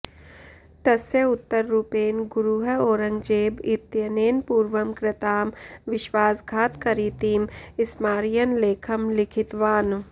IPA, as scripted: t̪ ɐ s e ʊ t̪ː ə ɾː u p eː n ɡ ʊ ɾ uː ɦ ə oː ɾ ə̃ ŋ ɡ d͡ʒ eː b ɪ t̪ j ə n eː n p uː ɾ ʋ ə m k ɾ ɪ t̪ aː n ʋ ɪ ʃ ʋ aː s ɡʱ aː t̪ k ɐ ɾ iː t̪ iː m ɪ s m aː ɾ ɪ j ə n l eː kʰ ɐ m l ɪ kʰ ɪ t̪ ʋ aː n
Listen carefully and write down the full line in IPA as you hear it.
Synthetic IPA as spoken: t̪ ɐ s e ʊ t̪ː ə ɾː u p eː n ɡ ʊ ɾ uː ɦ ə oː ɾ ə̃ ŋ ɡ d͡ʒ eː b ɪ t̪ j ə n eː n p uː ɾ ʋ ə m k ɾ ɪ t̪ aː m ʋ ɪ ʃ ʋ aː s ɡʱ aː t̪ k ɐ ɾ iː t̪ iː m ɪ s m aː ɾ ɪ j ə n l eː kʰ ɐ m l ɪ kʰ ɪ t̪ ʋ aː n